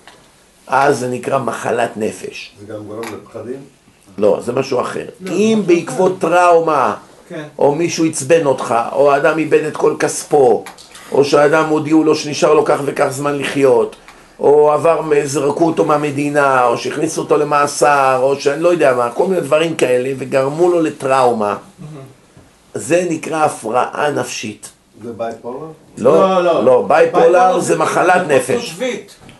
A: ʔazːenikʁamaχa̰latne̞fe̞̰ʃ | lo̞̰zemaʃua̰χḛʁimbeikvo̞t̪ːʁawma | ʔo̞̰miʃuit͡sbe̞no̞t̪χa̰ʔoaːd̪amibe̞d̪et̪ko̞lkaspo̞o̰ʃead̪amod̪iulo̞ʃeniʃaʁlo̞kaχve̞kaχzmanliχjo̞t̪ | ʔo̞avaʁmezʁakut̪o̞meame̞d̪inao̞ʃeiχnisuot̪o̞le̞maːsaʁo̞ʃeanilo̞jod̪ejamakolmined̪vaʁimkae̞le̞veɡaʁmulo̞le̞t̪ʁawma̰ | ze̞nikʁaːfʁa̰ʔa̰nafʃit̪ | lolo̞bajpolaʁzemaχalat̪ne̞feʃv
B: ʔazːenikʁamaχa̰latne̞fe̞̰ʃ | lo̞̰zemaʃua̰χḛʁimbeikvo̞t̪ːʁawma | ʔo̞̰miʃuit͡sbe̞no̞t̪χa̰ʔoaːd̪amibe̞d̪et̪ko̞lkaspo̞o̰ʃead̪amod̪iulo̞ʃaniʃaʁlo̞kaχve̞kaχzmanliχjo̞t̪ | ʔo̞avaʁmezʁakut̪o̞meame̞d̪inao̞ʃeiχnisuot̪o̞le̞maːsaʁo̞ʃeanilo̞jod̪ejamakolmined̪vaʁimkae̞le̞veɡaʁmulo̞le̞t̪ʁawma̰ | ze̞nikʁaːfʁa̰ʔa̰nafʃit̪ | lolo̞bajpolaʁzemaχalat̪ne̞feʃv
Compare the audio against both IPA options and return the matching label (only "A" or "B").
A